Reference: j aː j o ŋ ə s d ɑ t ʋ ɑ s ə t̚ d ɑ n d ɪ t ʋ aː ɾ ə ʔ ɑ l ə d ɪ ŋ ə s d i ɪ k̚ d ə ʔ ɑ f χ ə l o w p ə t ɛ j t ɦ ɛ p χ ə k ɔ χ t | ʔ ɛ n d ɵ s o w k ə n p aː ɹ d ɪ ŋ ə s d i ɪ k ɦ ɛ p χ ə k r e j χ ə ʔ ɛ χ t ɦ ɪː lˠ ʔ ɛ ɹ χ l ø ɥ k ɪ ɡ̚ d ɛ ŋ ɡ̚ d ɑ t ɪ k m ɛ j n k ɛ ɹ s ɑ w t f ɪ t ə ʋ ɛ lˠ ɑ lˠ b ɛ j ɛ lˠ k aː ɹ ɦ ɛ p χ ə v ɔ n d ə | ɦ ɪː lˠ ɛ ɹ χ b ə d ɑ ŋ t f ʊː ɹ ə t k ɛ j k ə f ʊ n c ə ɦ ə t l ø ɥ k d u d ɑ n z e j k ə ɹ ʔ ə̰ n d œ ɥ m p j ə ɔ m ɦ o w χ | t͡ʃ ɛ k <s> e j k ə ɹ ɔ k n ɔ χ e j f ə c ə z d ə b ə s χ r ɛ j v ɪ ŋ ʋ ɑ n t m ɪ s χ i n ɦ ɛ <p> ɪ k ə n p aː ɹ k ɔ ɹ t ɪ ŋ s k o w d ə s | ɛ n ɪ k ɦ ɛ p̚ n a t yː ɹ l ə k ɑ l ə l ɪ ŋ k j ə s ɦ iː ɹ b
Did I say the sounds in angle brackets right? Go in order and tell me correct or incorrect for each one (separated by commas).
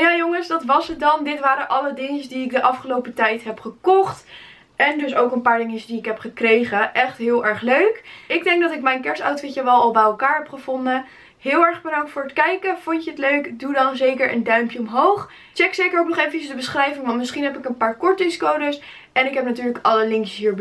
correct, correct